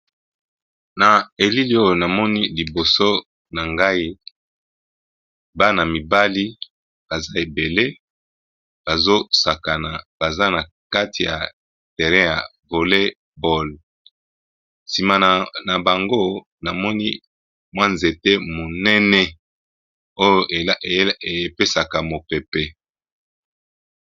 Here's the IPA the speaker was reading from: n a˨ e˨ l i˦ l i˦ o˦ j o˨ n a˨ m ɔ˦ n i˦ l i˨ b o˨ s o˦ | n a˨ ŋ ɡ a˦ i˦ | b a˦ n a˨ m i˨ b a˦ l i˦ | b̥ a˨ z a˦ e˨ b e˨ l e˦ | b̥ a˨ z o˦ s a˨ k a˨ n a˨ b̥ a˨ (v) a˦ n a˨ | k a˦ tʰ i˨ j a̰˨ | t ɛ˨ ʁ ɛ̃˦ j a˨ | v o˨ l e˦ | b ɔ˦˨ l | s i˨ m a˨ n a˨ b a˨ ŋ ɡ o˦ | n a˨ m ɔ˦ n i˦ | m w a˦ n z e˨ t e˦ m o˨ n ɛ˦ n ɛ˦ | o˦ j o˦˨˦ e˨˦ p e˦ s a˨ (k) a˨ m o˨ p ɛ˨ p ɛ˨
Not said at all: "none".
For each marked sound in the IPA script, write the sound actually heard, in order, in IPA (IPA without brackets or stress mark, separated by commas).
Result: z, k